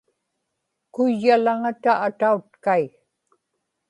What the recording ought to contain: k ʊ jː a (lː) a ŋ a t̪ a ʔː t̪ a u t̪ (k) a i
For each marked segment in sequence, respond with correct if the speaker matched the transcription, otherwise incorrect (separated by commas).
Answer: incorrect, correct